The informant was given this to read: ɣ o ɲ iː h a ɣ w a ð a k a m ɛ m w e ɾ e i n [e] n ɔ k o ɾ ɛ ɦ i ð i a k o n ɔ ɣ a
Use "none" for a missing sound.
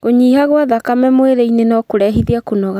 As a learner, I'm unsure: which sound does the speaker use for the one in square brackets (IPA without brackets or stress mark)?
e